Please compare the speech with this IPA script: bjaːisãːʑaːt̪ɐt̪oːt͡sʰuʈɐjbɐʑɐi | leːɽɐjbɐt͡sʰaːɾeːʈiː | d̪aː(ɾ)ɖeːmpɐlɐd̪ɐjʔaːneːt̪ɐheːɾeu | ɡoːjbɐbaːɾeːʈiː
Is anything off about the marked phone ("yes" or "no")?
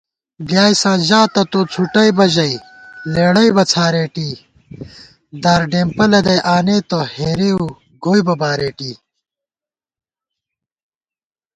no